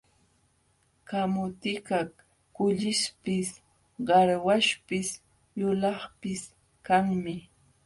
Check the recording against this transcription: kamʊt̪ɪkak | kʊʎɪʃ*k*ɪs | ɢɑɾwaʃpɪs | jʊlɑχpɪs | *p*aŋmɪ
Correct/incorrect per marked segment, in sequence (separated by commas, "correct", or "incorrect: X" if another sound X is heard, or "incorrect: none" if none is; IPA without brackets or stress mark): incorrect: p, incorrect: k